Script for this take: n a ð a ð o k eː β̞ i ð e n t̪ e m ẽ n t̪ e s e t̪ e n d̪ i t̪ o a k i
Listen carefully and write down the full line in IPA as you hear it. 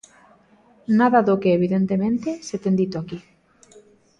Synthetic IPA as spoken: n a ð a ð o k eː β̞ i ð e n t̪ e m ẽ n t̪ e s e t̪ e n d̪ i t̪ o a k i